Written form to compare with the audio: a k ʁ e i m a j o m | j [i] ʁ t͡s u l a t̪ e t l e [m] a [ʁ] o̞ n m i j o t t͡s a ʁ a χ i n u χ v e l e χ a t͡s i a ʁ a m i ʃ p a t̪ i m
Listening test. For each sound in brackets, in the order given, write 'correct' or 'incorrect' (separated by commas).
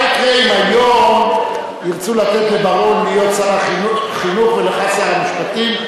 correct, incorrect, correct